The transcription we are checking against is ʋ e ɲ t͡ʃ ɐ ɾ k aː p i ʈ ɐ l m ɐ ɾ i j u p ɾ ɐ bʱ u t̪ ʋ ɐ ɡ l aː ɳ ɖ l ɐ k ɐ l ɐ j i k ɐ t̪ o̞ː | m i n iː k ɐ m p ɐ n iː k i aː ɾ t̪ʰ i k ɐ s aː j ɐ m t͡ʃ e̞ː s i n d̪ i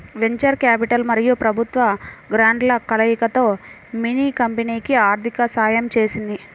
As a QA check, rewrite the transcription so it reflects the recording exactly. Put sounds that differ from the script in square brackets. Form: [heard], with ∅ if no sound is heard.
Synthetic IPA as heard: ʋ e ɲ t͡ʃ ɐ ɾ k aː p i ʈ ɐ l m ɐ ɾ i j u p ɾ ɐ bʱ u t̪ ʋ ɐ ɡ [ɾ] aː ɳ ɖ l ɐ k ɐ l ɐ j i k ɐ t̪ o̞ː | m i n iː k ɐ m p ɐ n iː k i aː ɾ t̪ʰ i k ɐ s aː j ɐ m t͡ʃ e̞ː s i n d̪ i